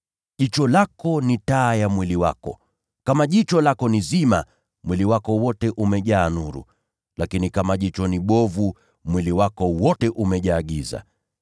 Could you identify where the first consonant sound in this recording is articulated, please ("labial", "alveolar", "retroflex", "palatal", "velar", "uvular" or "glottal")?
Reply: palatal